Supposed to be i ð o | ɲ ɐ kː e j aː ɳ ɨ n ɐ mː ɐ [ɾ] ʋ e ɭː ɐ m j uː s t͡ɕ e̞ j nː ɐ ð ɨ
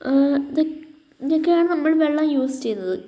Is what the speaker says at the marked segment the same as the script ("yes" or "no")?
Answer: no